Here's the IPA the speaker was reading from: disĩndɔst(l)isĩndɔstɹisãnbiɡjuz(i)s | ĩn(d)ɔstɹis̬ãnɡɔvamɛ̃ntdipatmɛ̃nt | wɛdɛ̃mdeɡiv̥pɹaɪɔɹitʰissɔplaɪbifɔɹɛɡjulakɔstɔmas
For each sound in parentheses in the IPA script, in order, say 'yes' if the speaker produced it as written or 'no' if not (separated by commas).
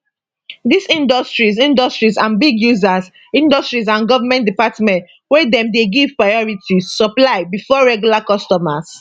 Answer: no, no, yes